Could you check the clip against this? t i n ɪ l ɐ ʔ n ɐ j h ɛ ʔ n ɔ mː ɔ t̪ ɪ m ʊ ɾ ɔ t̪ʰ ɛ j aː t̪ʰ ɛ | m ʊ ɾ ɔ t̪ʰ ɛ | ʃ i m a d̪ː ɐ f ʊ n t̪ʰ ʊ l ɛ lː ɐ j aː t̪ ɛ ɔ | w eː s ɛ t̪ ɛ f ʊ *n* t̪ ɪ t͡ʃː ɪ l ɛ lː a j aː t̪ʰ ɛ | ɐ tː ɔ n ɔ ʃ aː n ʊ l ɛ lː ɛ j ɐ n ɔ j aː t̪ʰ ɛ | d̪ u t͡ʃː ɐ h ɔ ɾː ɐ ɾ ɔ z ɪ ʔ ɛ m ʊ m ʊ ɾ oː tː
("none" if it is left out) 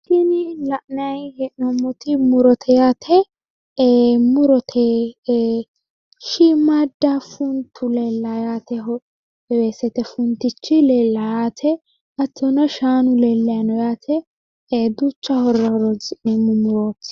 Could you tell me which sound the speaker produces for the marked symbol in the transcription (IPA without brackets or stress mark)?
n